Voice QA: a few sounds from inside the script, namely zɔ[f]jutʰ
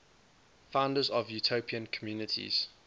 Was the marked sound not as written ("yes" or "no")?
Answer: yes